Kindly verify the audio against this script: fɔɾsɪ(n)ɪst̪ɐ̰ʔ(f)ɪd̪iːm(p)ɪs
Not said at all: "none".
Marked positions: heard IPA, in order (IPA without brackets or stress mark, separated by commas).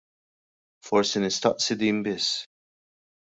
n, s, b